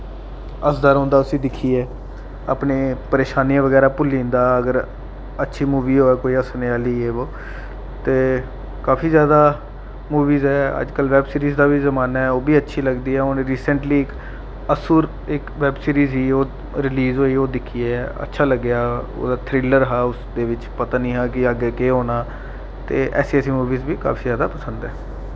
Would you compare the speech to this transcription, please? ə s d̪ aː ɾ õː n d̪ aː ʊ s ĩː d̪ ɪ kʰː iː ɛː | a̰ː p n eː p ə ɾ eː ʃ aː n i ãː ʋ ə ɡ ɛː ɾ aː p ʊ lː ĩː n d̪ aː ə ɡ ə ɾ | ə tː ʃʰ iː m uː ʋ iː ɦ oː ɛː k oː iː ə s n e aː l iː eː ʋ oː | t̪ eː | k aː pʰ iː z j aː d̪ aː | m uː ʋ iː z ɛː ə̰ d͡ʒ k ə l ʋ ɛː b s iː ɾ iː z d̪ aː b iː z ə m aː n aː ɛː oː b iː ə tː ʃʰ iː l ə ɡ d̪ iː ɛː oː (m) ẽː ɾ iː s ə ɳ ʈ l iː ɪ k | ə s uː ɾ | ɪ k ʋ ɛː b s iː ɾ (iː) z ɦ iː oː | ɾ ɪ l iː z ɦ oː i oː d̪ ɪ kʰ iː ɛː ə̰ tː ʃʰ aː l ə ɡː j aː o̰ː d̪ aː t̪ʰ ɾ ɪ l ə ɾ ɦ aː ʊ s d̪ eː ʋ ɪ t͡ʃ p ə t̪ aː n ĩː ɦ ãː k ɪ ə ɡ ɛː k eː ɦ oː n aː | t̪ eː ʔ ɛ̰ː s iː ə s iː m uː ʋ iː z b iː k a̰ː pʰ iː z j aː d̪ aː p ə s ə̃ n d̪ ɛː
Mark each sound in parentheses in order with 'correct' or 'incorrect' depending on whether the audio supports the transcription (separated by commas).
incorrect, correct